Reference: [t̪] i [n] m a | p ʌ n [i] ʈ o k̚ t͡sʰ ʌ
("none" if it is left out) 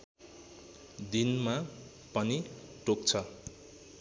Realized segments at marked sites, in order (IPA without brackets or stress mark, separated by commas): d̪, n, i